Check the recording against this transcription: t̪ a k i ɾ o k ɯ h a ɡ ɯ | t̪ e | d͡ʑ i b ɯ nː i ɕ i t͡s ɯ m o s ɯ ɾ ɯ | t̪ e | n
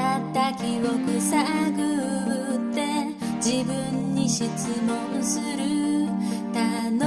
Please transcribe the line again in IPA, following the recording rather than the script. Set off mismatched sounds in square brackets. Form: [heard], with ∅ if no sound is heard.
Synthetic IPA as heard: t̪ a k i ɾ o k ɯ [s] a ɡ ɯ | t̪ e | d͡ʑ i b ɯ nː i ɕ i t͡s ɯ m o s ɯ ɾ ɯ | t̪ [a] | n